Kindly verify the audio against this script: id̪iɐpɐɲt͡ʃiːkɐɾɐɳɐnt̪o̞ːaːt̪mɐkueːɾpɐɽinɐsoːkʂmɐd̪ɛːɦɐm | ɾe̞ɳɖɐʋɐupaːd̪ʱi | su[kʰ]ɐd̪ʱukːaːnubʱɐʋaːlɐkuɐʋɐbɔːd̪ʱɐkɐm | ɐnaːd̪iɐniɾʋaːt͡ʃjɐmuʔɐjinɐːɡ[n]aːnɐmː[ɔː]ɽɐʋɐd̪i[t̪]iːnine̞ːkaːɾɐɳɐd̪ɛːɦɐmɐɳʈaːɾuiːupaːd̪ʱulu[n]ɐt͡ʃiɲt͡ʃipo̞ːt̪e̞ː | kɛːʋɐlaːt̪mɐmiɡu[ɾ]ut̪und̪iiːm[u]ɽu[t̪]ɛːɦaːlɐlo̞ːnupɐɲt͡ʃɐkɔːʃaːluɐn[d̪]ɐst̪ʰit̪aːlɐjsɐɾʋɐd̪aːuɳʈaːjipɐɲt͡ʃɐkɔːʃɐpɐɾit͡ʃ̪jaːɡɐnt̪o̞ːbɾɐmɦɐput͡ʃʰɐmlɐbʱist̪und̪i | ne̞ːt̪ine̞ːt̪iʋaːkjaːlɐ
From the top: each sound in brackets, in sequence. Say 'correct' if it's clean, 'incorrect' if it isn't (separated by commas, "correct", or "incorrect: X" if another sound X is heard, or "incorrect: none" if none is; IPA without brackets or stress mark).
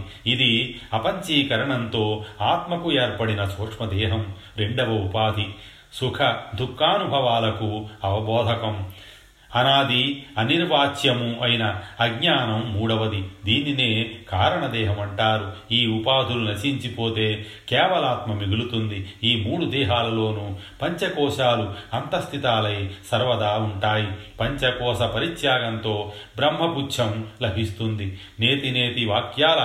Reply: correct, incorrect: ɲ, incorrect: uː, incorrect: d̪, correct, incorrect: l, incorrect: uː, incorrect: d̪, incorrect: t̪